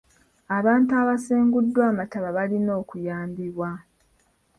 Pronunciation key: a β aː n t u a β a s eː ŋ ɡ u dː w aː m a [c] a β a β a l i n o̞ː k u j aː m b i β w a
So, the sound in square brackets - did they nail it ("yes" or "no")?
no